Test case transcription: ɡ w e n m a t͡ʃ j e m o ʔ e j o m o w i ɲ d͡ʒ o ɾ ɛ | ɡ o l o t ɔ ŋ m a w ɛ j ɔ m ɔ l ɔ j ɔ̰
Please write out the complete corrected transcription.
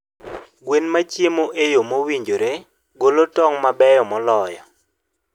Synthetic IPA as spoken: ɡ w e n m a t͡ʃ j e m o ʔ e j o m o w i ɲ d͡ʒ o ɾ e | ɡ o l o t ɔ ŋ m a b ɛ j ɔ m ɔ l ɔ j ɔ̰